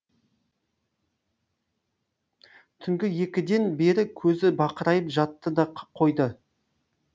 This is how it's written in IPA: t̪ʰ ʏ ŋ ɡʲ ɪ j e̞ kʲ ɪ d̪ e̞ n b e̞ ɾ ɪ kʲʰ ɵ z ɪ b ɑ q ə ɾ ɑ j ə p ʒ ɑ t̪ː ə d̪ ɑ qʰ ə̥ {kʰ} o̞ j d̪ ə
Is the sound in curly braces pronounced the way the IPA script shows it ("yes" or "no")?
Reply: no